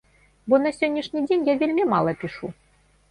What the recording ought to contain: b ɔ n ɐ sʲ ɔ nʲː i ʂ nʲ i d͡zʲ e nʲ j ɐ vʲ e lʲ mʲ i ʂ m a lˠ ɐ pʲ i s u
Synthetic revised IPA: b ɔ n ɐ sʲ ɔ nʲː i ʂ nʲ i d͡zʲ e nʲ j a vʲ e lʲ mʲ i m a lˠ ɐ pʲ i ʂ u

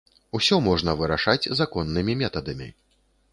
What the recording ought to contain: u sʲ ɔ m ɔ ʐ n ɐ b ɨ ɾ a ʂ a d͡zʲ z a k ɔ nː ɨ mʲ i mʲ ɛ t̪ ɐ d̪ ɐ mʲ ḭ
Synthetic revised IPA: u sʲ ɔ m ɔ ʐ n ɐ v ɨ ɾ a ʂ a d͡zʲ z a k ɔ nː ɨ mʲ i mʲ ɛ t̪ ɐ d̪ ɐ mʲ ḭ

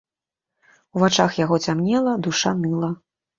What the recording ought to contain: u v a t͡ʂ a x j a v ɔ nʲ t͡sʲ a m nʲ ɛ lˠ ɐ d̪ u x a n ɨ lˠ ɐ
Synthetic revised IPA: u v a t͡ʂ a x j a ɣ ɔ t͡sʲ a m nʲ ɛ lˠ ɐ d̪ u ʂ a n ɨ lˠ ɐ

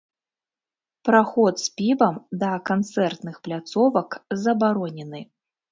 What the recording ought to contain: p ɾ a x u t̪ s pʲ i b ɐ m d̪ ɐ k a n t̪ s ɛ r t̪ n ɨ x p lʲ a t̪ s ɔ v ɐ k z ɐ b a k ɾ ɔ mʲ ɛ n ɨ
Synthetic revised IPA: p ɾ a x ɔ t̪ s pʲ i b ɐ m d̪ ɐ k a n t̪ s ɛ r t̪ n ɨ x p lʲ a t̪ s ɔ v ɐ k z ɐ b a ɾ ɔ nʲ ɛ n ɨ

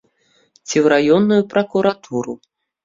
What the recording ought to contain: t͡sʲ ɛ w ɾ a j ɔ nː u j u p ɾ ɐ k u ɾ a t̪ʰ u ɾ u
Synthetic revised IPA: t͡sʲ i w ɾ a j ɔ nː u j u p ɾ ɐ k u ɾ a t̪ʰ u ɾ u

